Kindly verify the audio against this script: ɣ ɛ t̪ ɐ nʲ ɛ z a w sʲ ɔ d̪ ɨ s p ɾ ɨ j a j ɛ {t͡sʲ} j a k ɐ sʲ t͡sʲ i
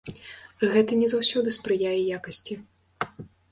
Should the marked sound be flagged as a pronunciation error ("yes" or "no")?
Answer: yes